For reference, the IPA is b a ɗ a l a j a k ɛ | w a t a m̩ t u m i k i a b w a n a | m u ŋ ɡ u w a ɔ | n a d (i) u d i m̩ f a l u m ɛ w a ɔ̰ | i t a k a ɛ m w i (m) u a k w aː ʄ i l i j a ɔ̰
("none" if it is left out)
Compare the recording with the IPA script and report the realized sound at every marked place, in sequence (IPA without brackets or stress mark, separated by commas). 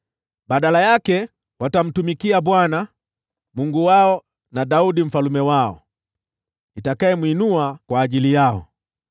a, n